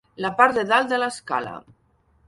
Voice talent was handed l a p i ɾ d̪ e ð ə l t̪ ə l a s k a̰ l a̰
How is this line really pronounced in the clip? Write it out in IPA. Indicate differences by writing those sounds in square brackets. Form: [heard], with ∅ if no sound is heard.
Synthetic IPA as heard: l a p [a] ɾ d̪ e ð [a] l [d̪] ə l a s k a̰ l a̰